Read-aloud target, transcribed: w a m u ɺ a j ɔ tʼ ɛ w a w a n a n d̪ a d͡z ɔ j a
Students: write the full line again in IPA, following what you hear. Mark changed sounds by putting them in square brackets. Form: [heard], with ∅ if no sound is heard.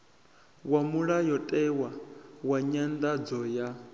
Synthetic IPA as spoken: w a m u ɺ a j ɔ tʼ ɛ w a w a [ɲ] a n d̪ a d͡z ɔ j a